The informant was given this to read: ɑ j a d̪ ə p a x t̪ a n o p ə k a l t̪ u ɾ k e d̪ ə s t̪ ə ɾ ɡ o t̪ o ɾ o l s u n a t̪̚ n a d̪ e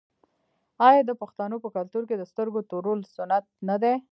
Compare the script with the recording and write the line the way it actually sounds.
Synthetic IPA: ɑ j ɑ d̪ ə p a x t̪ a n o p ə k a l t̪ u ɾ k e d̪ ə s t̪ ə ɾ ɡ o t̪ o ɾ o l s ʊ n a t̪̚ n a d̪ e